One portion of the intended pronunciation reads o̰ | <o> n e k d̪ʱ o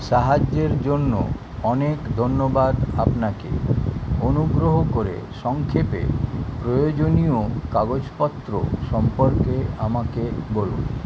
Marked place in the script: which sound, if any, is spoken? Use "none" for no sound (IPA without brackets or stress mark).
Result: ɔ